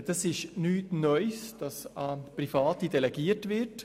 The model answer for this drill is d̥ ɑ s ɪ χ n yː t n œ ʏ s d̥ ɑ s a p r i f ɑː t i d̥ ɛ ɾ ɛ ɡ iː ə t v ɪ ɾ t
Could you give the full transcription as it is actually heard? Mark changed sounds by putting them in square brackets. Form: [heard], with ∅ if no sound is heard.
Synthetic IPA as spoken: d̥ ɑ s ɪ [ʃ] n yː t n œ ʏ s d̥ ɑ s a p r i f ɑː t i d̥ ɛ [l] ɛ ɡ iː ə t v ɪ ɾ t